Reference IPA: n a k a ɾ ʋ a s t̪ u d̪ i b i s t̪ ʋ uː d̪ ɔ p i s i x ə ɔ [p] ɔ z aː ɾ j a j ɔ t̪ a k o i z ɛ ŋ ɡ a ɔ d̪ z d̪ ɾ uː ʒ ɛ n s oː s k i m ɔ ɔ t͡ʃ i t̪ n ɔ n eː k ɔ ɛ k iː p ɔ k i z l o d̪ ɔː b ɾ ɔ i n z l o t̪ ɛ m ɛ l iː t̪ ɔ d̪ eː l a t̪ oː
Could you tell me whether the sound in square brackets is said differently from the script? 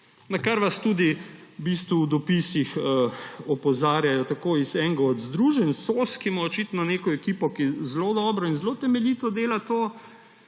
no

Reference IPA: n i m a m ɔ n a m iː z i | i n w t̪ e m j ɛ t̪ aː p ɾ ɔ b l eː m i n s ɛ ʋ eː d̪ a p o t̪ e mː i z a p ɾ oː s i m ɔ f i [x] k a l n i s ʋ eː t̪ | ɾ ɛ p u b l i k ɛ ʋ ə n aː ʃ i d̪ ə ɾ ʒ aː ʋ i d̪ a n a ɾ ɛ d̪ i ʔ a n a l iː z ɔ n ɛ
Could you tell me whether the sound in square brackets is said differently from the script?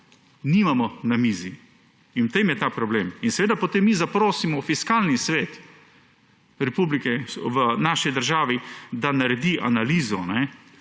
yes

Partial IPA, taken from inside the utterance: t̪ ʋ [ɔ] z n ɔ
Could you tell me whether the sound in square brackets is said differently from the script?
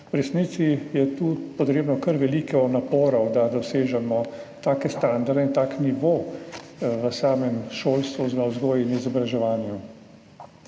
yes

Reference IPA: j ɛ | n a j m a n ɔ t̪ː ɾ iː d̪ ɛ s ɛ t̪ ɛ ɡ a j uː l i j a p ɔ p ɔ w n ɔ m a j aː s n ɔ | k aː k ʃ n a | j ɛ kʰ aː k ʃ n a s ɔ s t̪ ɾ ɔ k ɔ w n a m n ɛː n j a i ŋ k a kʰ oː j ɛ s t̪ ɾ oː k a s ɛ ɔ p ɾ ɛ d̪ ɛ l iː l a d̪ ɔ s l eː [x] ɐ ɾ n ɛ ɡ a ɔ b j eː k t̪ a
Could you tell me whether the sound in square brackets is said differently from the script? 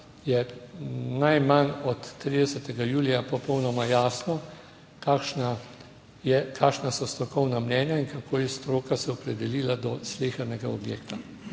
no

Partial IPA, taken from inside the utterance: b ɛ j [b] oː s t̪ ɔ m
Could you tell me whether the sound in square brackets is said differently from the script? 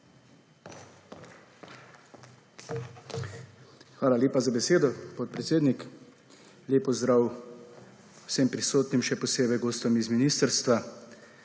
yes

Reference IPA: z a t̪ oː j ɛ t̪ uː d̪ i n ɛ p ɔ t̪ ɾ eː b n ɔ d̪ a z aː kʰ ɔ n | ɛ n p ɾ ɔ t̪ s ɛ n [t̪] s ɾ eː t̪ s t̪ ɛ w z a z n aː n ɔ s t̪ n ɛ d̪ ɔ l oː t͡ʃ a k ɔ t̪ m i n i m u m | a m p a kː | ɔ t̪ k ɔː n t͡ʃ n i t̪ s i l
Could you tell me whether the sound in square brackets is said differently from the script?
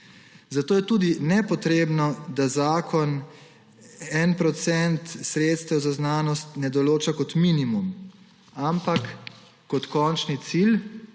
no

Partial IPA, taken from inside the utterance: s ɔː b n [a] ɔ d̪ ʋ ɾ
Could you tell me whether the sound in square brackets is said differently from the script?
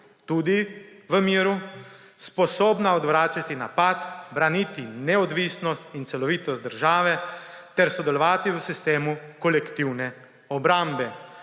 no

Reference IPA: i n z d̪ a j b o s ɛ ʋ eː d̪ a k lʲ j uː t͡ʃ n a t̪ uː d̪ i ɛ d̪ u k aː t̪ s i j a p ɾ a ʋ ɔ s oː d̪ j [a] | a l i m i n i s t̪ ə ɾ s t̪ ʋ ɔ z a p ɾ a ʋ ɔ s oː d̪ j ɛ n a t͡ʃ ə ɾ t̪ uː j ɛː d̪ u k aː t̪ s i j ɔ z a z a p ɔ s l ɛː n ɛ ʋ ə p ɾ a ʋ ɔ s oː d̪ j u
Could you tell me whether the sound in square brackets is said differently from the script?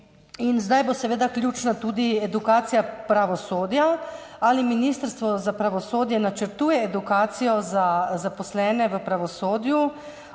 no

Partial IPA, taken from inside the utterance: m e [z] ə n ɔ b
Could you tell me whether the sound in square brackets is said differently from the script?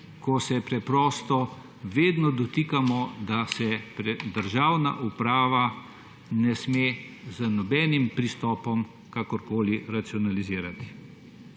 no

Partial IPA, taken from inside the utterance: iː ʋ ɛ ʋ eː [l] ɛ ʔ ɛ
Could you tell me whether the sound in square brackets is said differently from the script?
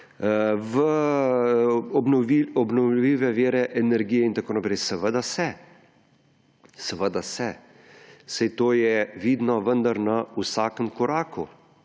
yes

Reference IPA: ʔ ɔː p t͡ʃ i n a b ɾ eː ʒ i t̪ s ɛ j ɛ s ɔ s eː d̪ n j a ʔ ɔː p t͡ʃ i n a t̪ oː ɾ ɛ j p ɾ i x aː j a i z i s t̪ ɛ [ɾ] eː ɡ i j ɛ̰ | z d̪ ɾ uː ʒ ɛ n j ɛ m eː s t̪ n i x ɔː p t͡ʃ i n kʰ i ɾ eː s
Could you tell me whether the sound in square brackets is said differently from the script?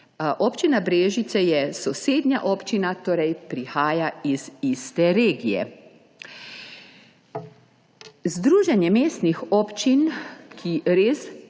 no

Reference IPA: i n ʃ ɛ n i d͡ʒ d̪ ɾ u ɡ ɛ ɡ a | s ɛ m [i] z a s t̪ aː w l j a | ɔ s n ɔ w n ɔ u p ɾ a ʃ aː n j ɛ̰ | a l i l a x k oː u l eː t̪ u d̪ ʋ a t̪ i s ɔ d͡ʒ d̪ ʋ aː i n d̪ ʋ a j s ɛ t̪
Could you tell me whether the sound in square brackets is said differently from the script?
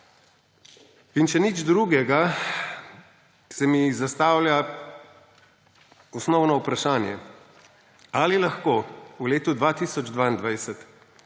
no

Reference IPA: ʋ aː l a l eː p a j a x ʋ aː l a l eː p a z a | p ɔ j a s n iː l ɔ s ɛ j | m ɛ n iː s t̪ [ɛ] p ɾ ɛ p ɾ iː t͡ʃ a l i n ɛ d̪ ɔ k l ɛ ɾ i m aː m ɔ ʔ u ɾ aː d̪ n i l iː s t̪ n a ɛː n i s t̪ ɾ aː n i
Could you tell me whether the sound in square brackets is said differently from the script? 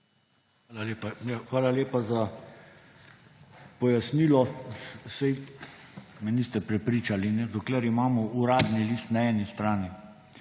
no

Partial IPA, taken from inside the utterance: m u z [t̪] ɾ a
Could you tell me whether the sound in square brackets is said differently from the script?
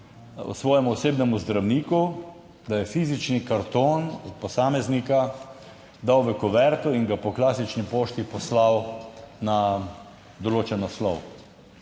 yes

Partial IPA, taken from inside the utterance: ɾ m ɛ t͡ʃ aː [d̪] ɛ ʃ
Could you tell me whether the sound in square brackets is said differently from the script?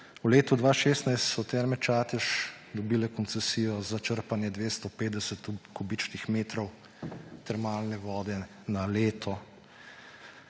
yes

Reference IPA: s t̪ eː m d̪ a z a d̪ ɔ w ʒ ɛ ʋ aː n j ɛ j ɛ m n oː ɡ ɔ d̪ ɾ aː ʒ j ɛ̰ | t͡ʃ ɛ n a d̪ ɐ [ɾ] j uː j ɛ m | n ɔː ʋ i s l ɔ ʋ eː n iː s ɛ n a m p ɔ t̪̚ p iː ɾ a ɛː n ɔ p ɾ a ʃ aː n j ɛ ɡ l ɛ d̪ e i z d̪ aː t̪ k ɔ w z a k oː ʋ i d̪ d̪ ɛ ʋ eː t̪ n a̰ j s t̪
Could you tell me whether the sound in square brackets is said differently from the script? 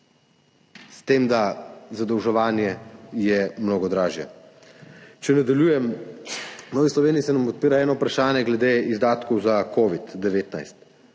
yes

